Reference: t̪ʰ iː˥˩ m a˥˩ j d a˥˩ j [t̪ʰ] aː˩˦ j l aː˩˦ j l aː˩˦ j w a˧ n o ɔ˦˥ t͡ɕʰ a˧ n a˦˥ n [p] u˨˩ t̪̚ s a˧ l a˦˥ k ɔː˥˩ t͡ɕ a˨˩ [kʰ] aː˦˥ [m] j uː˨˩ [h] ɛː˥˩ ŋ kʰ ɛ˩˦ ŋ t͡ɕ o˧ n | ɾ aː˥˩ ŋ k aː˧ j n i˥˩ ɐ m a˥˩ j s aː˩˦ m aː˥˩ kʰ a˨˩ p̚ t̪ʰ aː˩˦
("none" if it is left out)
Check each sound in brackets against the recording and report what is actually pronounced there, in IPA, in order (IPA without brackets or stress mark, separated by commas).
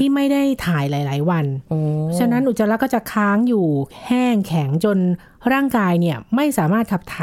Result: t̪ʰ, ʔ, kʰ, ŋ, h